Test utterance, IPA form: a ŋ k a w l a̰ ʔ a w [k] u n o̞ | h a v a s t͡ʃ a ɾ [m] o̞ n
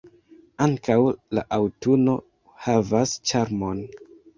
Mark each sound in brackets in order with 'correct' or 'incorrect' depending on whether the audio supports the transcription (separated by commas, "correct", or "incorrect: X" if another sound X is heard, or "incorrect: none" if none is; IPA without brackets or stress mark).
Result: incorrect: t, correct